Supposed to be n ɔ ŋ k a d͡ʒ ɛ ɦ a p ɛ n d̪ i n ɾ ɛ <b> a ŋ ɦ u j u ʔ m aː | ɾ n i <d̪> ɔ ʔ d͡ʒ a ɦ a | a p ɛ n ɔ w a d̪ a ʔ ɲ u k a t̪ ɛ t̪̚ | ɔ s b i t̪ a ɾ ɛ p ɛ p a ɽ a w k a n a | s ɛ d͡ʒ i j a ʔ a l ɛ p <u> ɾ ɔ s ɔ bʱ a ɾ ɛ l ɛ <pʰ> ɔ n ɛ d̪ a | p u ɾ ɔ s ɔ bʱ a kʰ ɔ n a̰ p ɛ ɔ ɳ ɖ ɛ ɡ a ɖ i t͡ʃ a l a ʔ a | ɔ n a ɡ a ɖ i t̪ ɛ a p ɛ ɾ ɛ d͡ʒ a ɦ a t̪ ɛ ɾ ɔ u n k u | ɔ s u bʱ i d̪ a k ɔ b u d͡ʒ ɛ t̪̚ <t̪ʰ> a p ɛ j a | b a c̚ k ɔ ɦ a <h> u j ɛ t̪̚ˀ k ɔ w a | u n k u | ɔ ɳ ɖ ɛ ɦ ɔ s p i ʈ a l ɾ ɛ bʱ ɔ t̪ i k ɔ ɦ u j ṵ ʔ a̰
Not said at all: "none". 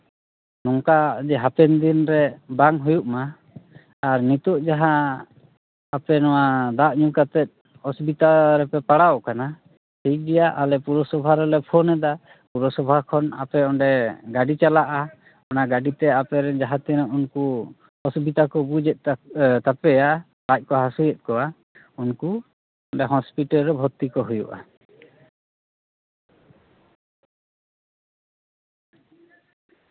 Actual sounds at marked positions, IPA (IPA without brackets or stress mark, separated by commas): b, t̪, u, pʰ, t̪, s